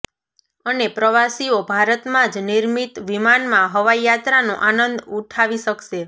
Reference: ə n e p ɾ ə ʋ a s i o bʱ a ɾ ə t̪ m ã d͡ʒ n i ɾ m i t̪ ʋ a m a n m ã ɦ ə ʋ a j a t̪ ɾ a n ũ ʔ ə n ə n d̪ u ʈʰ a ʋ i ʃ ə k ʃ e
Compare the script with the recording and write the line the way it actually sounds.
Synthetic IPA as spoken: ə n e p ɾ ə ʋ a s i o bʱ a ɾ ə t̪ m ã d͡ʒ n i ɾ m i t̪ ʋ i m a n m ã ɦ ə ʋ a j a t̪ ɾ a n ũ ʔ a n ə n d̪ u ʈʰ a ʋ i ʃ ə k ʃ e